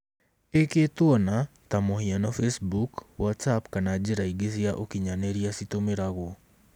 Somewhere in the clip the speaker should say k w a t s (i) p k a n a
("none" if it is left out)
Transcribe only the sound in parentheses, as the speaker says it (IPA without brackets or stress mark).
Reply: a